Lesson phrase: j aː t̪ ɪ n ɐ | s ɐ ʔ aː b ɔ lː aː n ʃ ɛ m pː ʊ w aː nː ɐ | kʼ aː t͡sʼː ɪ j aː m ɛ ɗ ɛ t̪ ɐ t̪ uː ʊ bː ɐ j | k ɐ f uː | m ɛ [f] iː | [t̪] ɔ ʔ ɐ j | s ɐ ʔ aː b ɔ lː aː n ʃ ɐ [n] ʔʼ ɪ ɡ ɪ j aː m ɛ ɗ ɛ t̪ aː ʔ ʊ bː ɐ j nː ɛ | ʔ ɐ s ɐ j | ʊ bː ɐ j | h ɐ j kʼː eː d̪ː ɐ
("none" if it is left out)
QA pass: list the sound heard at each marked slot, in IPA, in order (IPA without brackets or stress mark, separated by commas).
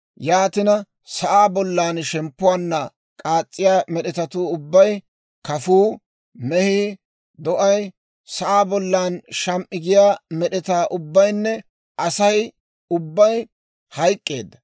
h, d̪, m